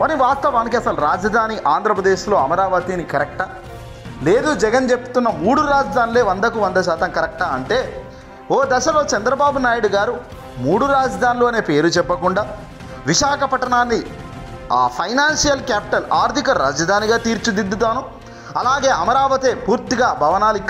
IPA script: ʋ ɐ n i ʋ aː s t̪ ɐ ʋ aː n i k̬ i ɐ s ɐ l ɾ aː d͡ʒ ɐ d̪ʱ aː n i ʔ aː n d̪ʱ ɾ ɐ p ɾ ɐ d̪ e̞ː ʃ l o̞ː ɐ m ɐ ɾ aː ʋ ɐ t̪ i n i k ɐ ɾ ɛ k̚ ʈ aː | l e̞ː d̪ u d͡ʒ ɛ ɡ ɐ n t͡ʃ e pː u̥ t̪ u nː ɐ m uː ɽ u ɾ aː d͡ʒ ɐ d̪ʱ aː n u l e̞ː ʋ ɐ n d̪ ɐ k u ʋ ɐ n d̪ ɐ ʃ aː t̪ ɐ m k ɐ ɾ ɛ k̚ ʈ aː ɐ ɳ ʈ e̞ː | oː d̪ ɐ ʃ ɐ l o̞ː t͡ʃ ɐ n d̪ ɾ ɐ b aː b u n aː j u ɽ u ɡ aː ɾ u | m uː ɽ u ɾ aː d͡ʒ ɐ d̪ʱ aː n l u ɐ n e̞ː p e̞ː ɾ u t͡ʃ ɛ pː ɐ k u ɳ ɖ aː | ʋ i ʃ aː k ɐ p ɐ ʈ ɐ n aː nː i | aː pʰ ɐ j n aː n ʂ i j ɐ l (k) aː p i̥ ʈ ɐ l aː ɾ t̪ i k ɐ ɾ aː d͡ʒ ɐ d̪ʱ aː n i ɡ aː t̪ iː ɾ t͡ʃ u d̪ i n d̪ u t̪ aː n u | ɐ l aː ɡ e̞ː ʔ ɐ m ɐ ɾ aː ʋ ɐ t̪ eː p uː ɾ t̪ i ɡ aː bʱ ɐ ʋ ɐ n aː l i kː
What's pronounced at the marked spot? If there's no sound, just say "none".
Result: k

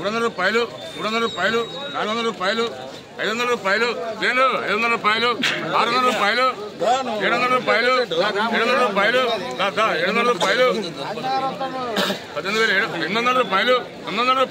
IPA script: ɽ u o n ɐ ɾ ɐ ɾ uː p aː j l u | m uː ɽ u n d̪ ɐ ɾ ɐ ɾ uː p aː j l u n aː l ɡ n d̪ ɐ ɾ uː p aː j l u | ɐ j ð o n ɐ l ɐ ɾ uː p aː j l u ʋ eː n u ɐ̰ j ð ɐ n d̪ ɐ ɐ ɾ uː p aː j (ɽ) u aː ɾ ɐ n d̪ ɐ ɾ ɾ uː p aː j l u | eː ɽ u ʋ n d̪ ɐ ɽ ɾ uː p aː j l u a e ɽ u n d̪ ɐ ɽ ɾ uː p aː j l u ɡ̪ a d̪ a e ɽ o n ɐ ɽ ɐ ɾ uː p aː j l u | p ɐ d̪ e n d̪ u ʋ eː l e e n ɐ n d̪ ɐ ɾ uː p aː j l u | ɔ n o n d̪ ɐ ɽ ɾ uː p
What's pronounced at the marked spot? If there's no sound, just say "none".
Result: l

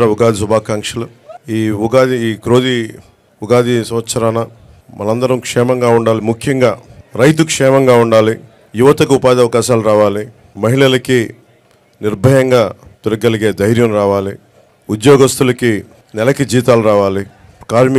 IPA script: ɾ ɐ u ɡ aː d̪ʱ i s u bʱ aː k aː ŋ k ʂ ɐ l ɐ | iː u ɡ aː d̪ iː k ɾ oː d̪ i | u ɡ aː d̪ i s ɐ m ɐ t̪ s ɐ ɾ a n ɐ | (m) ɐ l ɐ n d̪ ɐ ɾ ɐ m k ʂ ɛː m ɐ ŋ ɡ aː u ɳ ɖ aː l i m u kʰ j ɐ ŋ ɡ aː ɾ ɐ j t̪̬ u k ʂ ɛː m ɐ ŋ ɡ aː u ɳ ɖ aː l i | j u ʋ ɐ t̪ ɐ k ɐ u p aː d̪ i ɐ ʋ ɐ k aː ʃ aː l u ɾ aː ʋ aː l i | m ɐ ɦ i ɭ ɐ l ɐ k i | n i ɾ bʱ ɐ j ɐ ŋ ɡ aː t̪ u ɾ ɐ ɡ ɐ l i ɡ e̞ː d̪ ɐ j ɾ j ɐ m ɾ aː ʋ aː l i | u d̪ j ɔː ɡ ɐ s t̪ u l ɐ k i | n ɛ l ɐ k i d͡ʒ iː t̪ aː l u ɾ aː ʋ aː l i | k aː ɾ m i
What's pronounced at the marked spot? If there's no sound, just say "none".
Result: m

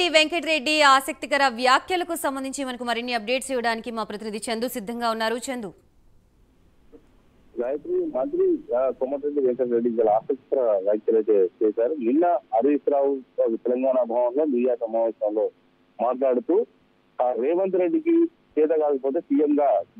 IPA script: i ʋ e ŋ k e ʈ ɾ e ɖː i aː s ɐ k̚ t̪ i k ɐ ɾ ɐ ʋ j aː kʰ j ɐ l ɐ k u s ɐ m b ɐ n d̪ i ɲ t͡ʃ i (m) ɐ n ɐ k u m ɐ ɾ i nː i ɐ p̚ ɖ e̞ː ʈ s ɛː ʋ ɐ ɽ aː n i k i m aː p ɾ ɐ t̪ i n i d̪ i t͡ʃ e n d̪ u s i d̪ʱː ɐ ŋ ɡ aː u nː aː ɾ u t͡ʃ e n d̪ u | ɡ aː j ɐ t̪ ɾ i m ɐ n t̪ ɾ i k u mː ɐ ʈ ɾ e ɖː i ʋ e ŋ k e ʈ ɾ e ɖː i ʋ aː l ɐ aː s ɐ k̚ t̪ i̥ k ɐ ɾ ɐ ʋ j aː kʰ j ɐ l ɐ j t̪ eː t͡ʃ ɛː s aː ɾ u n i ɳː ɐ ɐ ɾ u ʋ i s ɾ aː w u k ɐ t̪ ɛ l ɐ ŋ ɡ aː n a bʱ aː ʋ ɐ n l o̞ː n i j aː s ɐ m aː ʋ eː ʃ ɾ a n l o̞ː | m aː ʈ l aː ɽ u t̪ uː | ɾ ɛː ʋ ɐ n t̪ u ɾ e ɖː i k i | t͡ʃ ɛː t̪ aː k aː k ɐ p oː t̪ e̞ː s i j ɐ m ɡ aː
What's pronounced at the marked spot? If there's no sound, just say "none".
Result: m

